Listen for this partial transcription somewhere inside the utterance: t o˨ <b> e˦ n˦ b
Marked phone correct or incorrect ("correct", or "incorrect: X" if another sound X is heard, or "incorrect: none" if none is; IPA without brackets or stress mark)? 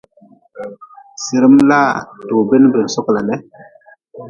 correct